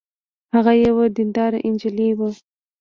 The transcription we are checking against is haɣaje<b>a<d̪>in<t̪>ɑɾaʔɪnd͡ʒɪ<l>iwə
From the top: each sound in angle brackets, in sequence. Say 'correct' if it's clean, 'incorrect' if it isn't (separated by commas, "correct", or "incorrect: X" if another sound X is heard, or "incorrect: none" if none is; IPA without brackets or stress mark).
incorrect: w, correct, incorrect: d̪, correct